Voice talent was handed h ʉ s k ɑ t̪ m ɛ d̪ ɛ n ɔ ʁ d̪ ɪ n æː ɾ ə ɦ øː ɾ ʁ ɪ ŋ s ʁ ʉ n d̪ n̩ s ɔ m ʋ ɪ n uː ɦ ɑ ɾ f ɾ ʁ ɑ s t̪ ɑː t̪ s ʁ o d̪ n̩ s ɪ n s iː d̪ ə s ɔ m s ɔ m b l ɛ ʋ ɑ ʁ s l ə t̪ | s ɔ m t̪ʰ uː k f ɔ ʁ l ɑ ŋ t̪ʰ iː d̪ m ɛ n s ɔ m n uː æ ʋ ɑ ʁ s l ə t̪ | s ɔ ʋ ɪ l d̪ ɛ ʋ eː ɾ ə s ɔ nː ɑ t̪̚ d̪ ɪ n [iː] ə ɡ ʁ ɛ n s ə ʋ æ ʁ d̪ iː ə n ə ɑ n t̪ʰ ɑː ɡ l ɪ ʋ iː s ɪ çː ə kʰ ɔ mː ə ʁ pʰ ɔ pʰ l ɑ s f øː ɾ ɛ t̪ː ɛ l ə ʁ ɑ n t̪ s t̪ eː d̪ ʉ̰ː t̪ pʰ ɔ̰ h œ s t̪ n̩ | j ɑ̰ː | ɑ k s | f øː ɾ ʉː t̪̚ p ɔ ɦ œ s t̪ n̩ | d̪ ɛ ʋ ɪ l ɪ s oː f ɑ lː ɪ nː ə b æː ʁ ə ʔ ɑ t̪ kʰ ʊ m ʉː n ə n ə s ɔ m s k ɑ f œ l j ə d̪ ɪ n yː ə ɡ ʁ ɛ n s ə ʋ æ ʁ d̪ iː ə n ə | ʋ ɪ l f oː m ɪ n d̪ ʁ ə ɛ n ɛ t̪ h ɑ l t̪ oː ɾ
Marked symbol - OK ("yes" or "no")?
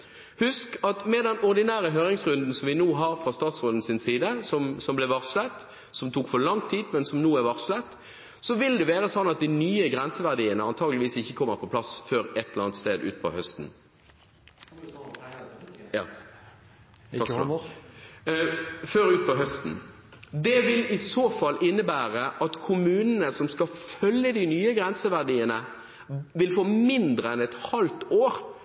no